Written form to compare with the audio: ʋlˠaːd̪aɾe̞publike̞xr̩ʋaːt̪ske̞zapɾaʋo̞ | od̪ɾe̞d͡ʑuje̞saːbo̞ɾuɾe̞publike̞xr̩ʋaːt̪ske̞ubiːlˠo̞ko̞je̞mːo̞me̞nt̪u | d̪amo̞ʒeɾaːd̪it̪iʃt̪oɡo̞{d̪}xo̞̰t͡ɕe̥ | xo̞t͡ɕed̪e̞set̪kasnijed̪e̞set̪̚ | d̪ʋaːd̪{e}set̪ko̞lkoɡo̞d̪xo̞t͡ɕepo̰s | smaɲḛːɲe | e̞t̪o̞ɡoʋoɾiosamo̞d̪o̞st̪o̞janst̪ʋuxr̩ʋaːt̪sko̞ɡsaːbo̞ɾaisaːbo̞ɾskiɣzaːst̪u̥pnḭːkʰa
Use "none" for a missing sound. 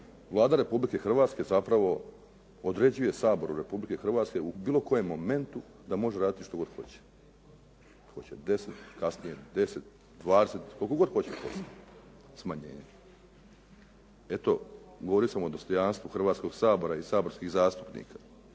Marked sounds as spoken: d̪, e

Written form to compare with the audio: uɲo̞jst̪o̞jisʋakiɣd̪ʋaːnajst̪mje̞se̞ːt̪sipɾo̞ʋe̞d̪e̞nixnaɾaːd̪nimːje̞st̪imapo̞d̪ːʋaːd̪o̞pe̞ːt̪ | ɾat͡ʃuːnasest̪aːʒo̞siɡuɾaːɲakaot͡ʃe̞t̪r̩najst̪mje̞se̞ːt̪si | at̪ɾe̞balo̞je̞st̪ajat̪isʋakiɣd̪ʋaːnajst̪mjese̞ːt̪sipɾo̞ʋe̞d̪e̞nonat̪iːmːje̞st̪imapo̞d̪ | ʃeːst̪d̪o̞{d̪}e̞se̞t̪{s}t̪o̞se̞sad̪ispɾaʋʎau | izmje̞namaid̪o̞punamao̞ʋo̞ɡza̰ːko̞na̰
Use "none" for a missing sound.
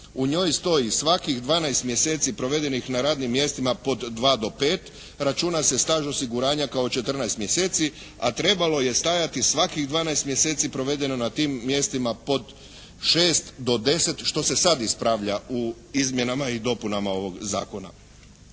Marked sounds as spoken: d̪, ʃ

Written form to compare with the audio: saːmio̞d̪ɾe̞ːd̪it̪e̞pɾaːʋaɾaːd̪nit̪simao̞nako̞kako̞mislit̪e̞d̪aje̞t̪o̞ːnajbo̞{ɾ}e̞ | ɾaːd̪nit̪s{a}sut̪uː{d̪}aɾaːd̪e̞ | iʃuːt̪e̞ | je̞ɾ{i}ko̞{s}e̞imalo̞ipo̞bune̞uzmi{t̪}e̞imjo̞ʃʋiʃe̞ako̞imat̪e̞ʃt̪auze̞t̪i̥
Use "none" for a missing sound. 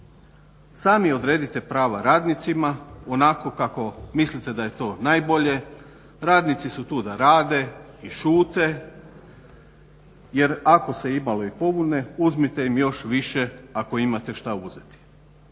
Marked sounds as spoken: ʎ, i, d̪, a, s, t̪

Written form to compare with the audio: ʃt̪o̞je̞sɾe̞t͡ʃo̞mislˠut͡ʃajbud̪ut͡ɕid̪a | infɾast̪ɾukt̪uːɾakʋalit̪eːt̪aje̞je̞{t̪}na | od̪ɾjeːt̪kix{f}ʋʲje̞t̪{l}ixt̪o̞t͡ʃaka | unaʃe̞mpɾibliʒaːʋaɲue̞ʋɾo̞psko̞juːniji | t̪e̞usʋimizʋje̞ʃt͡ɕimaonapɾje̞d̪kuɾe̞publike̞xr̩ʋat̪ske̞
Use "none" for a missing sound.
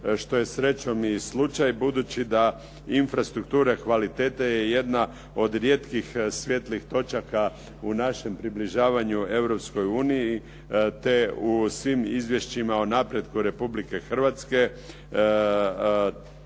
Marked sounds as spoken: d̪, s, l

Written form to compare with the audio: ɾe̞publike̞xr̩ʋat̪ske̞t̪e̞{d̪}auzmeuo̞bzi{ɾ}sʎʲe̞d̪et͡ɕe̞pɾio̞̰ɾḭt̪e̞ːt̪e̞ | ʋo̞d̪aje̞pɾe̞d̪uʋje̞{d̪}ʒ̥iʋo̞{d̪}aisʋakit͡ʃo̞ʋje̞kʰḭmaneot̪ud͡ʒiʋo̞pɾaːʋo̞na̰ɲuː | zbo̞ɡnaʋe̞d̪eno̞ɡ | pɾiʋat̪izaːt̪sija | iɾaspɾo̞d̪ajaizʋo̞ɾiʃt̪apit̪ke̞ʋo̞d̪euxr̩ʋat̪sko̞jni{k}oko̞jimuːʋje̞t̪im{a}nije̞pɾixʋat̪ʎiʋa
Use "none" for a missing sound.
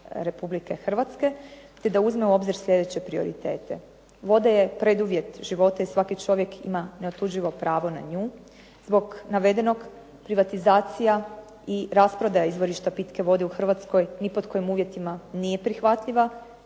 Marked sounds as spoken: d̪, ɾ, t̪, t̪, p, a

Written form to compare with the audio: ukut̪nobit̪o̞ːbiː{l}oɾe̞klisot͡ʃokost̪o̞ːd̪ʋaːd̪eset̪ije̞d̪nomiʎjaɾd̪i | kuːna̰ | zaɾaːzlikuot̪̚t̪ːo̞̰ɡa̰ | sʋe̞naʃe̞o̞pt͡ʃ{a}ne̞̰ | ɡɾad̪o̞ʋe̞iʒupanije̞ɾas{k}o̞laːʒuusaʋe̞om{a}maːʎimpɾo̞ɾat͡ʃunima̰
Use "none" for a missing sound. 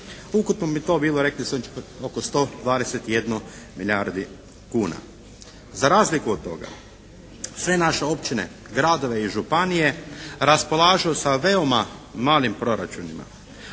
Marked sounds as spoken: l, i, p, a

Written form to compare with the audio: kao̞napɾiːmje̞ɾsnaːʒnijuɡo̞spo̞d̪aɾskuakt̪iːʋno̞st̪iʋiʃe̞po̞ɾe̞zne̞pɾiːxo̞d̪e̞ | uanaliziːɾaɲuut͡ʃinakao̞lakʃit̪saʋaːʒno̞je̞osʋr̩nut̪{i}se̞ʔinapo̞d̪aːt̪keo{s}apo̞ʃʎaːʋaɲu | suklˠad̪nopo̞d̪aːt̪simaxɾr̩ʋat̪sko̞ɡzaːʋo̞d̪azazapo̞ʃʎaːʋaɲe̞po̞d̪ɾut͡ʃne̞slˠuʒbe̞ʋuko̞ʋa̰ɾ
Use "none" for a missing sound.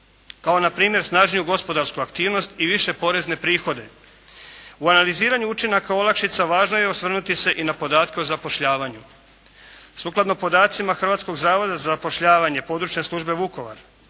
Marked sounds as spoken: i, z

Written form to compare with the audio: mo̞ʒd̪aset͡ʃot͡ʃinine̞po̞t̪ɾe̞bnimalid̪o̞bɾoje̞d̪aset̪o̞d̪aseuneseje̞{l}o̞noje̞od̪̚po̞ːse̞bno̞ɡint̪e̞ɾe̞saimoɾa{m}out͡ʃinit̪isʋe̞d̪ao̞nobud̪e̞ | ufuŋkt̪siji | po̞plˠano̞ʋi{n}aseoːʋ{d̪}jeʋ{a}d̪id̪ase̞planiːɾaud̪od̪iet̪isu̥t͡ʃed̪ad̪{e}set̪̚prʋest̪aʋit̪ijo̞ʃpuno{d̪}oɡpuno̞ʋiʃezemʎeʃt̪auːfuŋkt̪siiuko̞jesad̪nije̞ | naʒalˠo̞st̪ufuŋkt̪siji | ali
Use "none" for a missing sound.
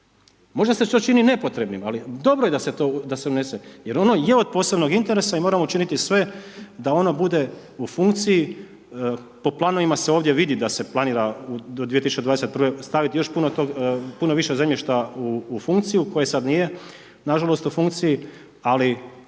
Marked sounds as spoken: ɾ, m, m, d̪, i, e, t̪

